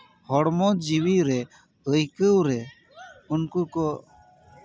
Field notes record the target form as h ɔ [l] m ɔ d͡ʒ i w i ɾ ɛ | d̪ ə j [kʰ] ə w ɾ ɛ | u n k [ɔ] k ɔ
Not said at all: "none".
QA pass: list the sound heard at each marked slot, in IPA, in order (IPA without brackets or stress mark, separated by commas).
ɽ, k, u